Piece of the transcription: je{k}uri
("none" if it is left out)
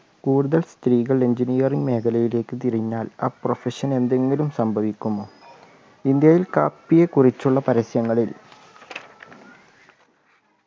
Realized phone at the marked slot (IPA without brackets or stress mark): k